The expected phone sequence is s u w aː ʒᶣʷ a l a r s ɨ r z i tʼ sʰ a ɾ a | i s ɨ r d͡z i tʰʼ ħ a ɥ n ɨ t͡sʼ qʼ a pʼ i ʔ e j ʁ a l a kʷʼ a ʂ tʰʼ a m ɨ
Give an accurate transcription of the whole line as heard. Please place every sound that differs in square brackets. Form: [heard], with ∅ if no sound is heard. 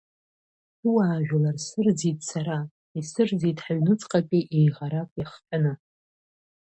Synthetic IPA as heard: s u w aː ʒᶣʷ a l a r s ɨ r [d͡z] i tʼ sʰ a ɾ a | i s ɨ r d͡z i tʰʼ ħ a ɥ n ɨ t͡sʼ qʼ a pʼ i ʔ e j ʁ a [ɾ] a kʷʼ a [χ] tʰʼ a [n] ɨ

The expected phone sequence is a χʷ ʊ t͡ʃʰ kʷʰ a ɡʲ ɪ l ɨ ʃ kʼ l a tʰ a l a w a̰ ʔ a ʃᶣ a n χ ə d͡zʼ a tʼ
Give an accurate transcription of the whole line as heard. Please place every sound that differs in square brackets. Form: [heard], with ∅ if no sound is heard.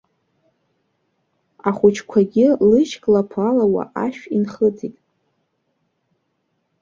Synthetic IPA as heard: a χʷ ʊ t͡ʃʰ kʷʰ a ɡʲ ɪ l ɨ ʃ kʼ l a [pʰ] a l a w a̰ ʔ a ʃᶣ [i] n χ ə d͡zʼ [i] tʼ

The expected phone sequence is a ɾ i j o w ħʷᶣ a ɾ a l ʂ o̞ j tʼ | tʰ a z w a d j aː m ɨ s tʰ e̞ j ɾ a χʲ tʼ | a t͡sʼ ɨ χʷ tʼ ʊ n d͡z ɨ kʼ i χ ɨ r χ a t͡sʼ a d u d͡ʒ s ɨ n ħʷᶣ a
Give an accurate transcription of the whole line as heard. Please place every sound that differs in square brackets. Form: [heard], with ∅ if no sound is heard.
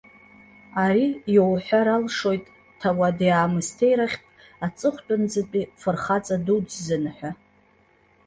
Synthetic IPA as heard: a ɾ i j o w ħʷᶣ a ɾ a l ʂ o̞ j tʼ | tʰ a [∅] w a d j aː m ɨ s tʰ e̞ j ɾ a χʲ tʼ | a t͡sʼ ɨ χʷ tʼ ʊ n d͡z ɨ [pʼ] i [f] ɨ r χ a t͡sʼ a d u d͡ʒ [z] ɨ n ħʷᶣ a

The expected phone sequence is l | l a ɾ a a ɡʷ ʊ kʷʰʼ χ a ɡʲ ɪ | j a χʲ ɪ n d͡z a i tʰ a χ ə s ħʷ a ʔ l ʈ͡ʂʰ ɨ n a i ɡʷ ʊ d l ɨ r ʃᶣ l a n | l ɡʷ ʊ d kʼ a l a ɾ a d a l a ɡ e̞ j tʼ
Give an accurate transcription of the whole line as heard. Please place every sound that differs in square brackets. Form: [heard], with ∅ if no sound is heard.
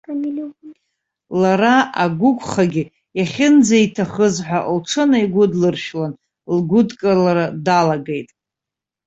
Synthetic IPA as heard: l | l a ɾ a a ɡʷ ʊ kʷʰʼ χ a ɡʲ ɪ | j a χʲ ɪ n d͡z a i tʰ a χ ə [z] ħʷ a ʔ l ʈ͡ʂʰ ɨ n a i ɡʷ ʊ d l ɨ r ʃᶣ l a n | l ɡʷ ʊ d kʼ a l a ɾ a d a l a ɡ e̞ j tʼ

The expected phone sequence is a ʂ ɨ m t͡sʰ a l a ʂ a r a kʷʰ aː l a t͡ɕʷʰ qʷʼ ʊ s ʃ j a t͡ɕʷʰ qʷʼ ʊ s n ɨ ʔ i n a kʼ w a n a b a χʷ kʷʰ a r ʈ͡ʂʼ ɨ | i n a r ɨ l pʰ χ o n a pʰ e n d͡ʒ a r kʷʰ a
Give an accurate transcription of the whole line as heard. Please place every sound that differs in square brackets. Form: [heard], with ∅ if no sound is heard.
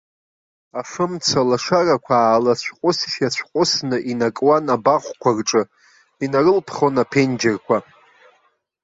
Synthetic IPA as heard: a ʂ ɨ m t͡sʰ a l a ʂ a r a kʷʰ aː l a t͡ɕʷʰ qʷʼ ʊ s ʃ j a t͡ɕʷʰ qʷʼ ʊ s n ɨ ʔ i n a kʼ w a n a b a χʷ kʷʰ a r ʈ͡ʂʼ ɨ | i n a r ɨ l pʰ χ o n a pʰ e n d͡ʒ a r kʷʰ a

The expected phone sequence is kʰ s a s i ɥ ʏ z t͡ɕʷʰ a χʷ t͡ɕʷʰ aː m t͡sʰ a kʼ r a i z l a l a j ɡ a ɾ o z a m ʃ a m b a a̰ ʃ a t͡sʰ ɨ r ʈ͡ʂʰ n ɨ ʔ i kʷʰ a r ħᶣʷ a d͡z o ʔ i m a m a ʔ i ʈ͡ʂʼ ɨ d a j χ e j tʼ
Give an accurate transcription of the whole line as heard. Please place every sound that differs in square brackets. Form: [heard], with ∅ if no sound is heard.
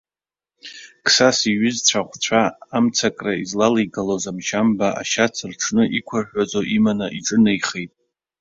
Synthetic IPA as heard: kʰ s a s i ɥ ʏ z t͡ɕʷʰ a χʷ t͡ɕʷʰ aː m t͡sʰ a kʼ r a i z l a l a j ɡ a [l] o z a m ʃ a m b a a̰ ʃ a t͡sʰ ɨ r ʈ͡ʂʰ n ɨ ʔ i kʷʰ a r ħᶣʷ a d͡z o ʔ i m a [n] a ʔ i ʈ͡ʂʼ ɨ [n] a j χ e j tʼ

